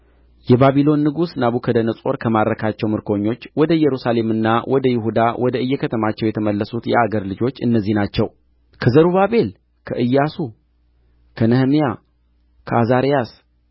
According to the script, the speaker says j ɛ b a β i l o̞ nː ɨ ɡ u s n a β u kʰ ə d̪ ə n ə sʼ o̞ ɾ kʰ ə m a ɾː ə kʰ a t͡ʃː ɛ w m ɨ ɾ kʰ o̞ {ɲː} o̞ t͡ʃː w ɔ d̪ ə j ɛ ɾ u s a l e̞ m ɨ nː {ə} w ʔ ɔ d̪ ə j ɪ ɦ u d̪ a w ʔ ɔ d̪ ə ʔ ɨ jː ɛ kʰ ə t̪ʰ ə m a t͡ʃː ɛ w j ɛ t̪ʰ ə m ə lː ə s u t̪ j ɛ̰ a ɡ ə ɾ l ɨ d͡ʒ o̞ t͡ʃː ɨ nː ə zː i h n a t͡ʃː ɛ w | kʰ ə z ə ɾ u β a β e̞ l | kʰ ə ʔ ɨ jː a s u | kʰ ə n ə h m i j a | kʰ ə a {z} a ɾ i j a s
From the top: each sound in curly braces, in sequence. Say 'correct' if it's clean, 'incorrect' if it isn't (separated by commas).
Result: correct, incorrect, correct